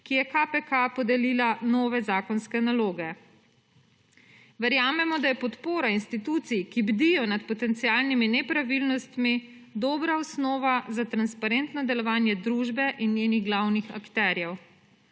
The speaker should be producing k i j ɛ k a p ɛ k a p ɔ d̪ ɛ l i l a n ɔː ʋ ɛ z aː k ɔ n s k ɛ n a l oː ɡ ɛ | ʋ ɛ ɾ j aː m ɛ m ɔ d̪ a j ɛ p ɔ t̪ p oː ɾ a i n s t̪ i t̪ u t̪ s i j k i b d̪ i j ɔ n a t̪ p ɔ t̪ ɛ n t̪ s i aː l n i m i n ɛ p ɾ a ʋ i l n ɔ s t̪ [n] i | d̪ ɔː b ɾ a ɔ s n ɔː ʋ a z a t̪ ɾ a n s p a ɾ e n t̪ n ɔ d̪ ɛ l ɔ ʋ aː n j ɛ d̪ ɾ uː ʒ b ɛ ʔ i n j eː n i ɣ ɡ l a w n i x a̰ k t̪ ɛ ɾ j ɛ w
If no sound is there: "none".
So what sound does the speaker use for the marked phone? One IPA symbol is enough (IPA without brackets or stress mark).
m